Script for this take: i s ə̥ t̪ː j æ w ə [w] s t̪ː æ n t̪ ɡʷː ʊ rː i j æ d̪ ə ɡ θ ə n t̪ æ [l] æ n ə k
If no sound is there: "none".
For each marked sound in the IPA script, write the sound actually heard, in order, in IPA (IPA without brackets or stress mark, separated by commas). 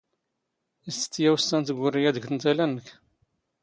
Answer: none, l